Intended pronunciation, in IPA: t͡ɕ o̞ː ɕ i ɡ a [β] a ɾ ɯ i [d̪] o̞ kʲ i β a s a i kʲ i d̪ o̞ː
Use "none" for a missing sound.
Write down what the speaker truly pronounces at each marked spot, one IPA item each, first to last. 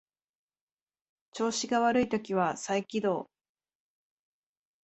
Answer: β, t̪

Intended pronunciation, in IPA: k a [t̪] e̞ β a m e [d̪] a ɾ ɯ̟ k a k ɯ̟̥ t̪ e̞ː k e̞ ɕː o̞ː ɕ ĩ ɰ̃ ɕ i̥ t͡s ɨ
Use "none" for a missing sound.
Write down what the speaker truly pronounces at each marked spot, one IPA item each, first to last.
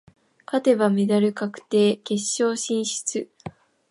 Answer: t̪, d̪

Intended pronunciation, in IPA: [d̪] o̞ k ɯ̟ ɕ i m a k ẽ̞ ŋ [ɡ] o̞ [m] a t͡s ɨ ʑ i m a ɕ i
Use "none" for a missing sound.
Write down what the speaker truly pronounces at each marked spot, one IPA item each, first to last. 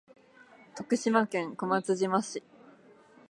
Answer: t̪, k, m

